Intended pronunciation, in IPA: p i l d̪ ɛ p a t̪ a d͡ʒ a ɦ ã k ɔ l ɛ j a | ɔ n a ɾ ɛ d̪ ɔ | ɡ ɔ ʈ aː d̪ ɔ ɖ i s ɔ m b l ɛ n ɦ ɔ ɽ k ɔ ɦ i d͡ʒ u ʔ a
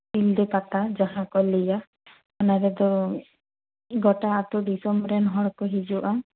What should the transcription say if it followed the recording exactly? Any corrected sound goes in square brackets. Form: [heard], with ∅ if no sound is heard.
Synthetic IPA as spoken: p i l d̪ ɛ p a t̪ a d͡ʒ a ɦ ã k ɔ l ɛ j a | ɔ n a ɾ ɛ d̪ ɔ | ɡ ɔ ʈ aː [t̪] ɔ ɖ i s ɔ m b [ɾ] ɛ n ɦ ɔ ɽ k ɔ ɦ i d͡ʒ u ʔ a

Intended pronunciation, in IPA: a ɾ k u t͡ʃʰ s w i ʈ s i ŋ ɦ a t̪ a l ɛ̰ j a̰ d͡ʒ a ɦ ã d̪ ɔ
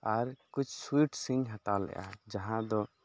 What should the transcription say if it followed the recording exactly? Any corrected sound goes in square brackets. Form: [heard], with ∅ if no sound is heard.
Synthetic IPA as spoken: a ɾ k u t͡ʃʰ s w i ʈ s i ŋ ɦ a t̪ a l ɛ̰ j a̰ d͡ʒ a ɦ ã d̪ ɔ

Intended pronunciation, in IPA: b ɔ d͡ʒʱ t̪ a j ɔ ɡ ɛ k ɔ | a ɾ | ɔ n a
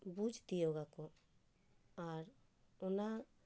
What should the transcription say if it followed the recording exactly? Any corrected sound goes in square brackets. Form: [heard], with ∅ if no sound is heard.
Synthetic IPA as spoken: b [u] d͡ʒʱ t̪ [i] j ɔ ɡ [a] k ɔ | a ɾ | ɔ n a

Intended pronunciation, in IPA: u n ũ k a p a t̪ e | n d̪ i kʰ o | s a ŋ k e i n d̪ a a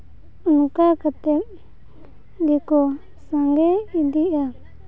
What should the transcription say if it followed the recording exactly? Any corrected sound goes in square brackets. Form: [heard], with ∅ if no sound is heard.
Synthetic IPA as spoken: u n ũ k a [k] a t̪ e | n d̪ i [k] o | s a ŋ [ɡ] e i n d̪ [i] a

